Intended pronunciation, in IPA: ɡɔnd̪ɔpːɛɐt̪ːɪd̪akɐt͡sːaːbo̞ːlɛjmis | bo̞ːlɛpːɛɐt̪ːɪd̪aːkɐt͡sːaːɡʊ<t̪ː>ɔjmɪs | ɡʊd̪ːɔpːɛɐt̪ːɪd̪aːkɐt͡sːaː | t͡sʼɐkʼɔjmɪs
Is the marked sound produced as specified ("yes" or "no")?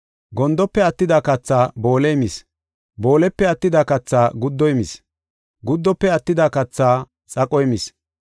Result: no